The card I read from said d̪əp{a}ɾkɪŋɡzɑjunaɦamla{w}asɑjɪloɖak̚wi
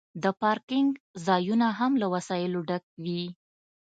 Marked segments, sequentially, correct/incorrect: incorrect: ɑ, correct

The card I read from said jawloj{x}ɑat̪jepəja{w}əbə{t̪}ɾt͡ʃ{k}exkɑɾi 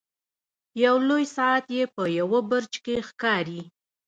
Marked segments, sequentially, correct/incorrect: incorrect: s, correct, incorrect: none, correct

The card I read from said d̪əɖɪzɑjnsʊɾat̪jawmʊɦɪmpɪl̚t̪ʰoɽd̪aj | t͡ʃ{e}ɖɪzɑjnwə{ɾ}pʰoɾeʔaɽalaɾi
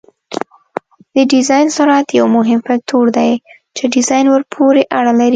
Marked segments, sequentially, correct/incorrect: correct, correct

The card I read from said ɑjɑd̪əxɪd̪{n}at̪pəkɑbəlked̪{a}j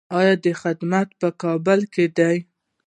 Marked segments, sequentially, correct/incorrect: incorrect: m, correct

